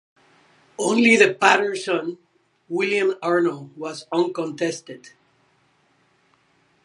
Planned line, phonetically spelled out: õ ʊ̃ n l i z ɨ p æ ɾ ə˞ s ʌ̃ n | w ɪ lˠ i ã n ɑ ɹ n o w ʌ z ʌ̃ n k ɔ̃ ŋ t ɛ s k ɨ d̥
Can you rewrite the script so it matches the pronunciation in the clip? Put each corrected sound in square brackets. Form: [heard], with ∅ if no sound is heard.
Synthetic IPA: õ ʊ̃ n l i [ð] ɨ p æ ɾ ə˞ s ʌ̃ n | w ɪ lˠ [j] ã [m] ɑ ɹ n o w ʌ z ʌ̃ n k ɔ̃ [n] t ɛ s [t] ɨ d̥